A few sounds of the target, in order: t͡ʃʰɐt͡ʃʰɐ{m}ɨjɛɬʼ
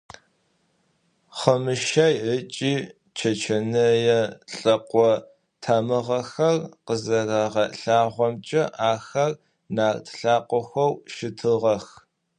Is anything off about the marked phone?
yes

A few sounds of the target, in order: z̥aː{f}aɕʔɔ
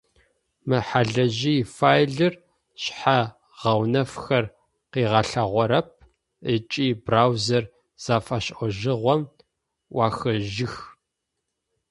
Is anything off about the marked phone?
no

